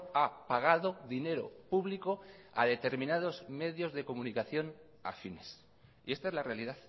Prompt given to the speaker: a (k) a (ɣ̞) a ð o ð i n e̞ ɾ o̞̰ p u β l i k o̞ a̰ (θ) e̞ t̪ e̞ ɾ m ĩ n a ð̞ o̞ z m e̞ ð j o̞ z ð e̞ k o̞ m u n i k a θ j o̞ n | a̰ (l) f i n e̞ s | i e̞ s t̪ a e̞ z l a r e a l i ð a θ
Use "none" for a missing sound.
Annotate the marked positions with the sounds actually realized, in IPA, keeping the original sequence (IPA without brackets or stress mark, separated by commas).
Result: p, ɣ̞, ð, none